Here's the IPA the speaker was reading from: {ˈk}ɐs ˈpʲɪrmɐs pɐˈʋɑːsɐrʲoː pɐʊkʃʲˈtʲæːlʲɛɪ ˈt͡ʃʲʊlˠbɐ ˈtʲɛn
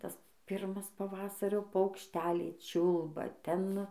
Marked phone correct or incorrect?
incorrect